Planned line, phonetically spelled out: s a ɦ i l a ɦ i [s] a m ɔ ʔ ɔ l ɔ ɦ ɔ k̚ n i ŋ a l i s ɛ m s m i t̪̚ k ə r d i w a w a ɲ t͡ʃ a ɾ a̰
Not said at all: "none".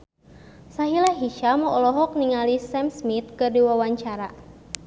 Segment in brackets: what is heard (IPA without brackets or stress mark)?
ʃ